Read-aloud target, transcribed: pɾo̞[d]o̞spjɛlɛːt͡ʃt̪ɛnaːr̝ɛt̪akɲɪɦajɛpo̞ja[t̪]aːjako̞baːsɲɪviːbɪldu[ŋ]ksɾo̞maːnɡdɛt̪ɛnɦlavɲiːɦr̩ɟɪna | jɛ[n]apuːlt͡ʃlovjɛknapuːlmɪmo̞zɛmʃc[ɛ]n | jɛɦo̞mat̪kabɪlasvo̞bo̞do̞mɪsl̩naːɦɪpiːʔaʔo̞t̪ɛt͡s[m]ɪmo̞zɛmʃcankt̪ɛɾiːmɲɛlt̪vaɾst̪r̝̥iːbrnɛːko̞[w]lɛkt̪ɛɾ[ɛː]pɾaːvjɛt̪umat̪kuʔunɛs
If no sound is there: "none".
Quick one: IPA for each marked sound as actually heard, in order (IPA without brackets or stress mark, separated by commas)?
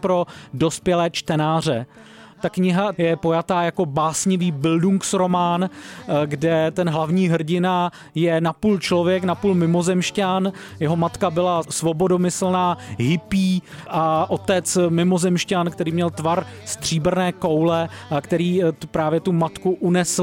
d, t̪, ŋ, n, a, m, w, iː